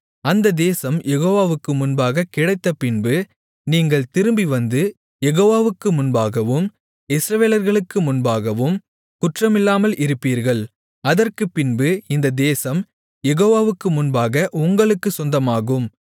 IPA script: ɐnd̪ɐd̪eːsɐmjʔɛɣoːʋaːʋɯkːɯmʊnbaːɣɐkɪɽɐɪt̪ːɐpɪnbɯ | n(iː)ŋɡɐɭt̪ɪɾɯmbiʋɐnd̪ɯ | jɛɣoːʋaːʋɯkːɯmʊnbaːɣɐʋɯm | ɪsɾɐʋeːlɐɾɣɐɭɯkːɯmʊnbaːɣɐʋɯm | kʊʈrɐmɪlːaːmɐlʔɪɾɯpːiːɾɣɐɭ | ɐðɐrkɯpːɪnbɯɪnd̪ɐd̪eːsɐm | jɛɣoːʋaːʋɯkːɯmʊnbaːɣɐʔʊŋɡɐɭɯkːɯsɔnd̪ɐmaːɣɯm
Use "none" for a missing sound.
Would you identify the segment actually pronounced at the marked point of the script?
iː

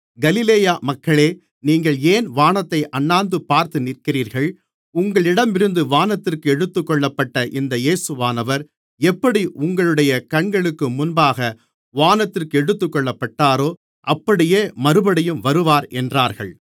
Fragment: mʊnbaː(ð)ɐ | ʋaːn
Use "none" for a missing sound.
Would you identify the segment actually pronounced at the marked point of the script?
ɣ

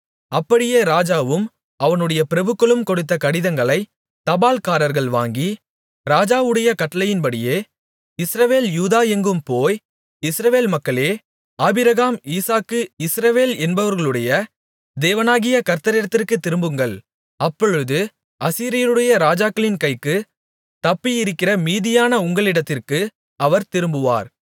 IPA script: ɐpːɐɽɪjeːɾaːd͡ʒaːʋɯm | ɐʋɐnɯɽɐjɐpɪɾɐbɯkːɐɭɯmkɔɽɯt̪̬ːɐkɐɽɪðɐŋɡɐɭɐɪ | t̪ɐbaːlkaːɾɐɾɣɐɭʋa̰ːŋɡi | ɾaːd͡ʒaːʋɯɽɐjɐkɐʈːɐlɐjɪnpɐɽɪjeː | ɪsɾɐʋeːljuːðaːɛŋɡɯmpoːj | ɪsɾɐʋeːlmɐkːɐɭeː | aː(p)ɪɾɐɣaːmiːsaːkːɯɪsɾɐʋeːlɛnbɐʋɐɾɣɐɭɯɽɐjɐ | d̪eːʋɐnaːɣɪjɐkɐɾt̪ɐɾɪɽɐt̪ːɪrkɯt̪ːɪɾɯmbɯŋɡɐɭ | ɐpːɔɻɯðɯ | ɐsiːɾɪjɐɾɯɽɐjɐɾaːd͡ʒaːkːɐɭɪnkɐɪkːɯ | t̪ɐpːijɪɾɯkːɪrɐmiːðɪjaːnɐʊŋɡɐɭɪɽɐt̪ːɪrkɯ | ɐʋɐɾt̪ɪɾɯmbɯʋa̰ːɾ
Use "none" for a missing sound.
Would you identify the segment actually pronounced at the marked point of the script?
b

